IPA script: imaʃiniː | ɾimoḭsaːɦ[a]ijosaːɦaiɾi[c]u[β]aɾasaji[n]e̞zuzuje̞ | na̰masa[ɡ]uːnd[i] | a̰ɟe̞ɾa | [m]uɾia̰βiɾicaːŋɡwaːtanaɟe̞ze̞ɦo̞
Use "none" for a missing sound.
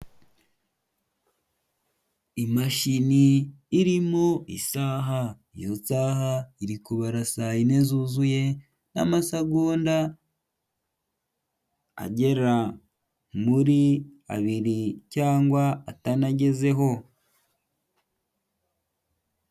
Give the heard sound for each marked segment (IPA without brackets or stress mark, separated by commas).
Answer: a, k, β, n, ɡ, a, m